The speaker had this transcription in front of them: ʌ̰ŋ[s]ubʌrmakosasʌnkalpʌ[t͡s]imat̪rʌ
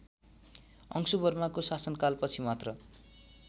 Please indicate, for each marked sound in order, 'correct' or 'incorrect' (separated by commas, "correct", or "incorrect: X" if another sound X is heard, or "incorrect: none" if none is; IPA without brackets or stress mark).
correct, incorrect: t͡sʰ